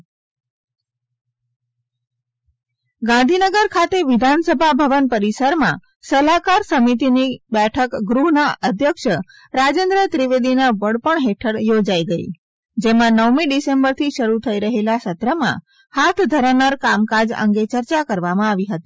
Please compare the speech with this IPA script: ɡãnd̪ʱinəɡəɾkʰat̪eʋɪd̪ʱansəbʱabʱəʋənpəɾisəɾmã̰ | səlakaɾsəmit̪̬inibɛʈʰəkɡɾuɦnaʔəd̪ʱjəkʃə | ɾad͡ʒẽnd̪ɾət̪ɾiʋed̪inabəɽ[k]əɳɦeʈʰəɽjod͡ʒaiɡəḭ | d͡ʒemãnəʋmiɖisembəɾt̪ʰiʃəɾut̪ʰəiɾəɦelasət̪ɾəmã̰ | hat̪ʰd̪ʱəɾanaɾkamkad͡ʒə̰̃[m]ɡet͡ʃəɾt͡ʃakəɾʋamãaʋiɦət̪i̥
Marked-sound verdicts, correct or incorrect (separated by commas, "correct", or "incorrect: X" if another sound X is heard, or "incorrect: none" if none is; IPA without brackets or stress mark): incorrect: p, incorrect: ŋ